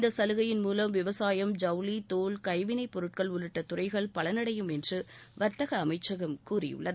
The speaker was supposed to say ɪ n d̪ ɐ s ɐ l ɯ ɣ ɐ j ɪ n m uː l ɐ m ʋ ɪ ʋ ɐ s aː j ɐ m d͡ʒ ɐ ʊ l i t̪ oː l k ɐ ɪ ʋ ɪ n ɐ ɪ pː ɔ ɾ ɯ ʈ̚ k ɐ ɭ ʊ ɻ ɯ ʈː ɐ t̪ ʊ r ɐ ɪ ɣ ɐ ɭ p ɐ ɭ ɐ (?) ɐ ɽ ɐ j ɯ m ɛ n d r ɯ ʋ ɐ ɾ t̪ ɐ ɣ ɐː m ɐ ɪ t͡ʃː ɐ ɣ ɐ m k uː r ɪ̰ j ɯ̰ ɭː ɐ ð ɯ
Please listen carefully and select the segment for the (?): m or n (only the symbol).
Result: n